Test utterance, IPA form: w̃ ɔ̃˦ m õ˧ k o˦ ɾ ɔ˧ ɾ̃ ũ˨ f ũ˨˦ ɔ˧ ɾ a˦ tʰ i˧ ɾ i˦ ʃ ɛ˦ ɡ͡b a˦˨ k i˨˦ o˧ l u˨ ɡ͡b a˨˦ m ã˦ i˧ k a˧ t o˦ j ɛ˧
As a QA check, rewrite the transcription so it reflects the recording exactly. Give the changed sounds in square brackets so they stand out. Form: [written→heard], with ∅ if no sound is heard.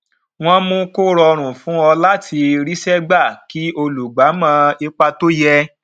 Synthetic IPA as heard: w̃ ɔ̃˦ m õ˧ k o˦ ɾ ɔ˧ ɾ̃ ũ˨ f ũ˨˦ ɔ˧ [ɾ→l] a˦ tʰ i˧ ɾ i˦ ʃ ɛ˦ ɡ͡b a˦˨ k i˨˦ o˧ l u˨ ɡ͡b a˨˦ m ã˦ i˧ [k→k͡p] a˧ t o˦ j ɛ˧